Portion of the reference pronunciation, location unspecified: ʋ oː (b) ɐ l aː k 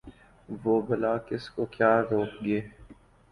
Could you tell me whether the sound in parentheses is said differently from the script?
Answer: no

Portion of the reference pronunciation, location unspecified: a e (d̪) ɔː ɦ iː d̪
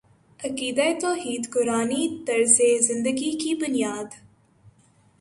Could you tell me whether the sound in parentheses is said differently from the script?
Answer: yes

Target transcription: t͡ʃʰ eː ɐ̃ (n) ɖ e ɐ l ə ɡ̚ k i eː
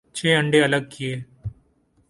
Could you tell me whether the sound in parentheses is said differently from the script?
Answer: yes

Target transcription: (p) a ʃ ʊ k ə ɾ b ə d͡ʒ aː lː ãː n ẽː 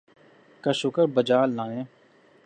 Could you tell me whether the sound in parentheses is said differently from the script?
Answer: yes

